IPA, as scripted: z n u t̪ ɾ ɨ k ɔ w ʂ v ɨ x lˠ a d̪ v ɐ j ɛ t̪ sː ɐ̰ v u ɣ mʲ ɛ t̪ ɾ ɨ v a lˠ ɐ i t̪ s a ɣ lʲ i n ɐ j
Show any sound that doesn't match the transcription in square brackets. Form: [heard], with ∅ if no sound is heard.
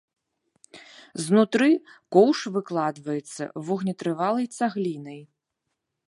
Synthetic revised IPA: z n u t̪ ɾ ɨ k ɔ w ʂ v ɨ [k] lˠ a d̪ v ɐ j ɛ t̪ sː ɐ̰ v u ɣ [nʲ] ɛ t̪ ɾ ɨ v a lˠ ɐ [j] t̪ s a ɣ lʲ i n ɐ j